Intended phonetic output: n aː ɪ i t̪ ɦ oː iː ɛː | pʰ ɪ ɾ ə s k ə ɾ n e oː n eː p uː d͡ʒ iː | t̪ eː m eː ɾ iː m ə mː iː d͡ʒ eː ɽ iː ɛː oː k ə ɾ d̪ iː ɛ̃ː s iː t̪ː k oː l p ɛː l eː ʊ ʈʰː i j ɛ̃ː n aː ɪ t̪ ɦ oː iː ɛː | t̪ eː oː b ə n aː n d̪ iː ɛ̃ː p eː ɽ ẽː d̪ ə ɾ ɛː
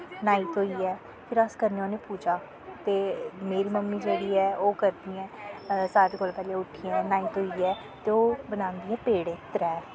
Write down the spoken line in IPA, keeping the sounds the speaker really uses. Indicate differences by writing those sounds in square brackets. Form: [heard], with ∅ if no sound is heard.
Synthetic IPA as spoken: n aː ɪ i t̪ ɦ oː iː ɛː | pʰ ɪ ɾ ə s k ə ɾ n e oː n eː p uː d͡ʒ [aː] | t̪ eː m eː ɾ iː m ə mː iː d͡ʒ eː ɽ iː ɛː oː k ə ɾ d̪ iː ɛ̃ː s [aː] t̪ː k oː l p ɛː l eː ʊ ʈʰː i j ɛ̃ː n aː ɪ t̪ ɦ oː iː ɛː | t̪ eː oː b ə n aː n d̪ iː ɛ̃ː p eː ɽ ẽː [t̪] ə ɾ ɛː